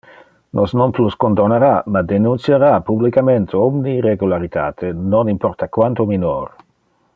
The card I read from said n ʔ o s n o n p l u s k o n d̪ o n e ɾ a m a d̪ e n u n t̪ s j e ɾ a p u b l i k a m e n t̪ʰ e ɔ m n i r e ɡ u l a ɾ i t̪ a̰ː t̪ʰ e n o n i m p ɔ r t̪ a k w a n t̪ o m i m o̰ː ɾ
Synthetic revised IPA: n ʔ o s n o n p l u s k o n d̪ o n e ɾ a m a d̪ e n u n t̪ s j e ɾ a p u b l i k a m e n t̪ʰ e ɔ m n i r e ɡ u l a ɾ i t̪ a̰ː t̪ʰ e n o n i m p ɔ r t̪ a k w a n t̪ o m i n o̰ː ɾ